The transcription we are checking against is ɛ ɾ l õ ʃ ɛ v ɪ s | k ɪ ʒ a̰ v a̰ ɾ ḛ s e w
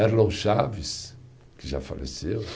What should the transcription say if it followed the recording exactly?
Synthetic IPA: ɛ ɾ l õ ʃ a v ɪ s | k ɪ ʒ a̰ f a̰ l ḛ s e w